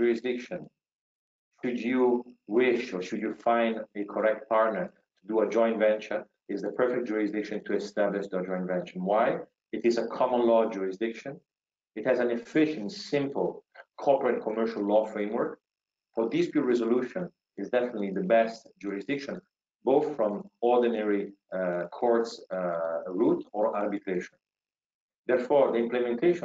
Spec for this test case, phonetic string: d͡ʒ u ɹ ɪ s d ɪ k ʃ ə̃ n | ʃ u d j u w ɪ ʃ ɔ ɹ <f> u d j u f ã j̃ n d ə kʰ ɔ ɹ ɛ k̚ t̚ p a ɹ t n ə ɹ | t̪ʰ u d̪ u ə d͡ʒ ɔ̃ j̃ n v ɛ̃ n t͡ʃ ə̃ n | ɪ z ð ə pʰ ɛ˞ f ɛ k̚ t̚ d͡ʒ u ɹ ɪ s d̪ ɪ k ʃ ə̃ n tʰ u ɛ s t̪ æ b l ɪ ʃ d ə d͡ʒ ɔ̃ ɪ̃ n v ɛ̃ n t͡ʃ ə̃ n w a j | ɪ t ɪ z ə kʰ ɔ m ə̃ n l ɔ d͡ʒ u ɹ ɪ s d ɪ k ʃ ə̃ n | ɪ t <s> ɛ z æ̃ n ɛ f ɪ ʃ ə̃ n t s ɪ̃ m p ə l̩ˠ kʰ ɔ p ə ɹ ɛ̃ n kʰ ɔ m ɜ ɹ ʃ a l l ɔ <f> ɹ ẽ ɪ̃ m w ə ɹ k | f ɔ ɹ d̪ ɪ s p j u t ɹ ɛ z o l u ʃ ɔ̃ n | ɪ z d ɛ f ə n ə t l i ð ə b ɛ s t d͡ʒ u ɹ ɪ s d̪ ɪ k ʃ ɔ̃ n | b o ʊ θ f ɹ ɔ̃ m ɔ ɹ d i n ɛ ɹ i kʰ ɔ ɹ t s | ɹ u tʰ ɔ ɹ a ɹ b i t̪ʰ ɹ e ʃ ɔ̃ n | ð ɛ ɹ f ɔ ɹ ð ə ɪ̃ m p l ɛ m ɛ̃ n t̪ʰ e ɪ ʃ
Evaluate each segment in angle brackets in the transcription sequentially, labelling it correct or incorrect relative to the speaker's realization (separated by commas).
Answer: incorrect, incorrect, correct